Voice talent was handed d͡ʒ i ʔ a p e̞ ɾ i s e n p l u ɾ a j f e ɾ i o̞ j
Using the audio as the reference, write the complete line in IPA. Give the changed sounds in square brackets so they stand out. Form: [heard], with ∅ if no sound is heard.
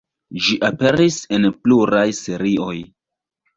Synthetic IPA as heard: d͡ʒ i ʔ a p e̞ ɾ i s e n p l u ɾ a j [s] e ɾ i o̞ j